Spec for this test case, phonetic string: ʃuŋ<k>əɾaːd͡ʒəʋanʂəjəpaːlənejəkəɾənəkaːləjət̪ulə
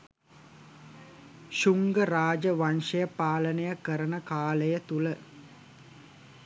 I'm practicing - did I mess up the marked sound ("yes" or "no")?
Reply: yes